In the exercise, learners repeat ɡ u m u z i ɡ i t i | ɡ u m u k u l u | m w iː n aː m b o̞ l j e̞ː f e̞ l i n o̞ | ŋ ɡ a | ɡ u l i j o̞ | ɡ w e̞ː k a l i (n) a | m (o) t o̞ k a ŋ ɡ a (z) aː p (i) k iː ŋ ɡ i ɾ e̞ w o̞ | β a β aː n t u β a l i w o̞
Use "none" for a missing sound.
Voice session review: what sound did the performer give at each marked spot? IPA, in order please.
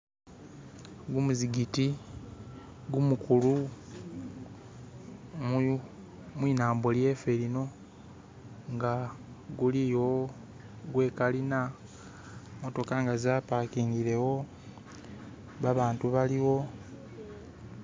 n, o, z, a

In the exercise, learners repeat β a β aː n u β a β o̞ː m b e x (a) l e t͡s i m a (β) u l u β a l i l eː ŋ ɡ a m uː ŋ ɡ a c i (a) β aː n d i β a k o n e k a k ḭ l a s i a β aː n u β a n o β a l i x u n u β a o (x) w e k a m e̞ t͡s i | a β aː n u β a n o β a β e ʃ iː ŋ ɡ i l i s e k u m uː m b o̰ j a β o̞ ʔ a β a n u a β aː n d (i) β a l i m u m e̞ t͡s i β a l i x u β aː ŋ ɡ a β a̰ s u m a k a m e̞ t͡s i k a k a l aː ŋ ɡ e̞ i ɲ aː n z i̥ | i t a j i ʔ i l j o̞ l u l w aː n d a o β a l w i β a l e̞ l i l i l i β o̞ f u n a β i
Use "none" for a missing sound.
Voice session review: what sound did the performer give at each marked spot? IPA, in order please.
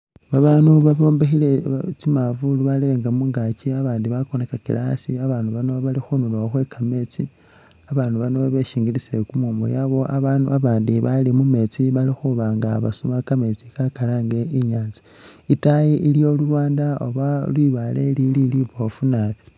i, v, a, x, i

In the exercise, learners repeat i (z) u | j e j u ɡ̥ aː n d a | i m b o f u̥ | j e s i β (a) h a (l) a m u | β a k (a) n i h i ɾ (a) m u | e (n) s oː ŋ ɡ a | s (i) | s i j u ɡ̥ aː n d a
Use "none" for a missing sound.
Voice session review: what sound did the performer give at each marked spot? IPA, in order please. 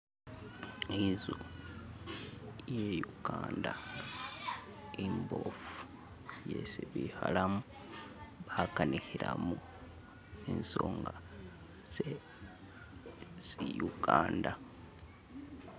z, i, l, a, a, n, e

